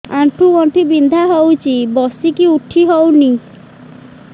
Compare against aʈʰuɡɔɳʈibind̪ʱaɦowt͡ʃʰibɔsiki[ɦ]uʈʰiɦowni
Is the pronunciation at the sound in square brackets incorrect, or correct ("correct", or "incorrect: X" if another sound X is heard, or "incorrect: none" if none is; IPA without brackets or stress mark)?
incorrect: none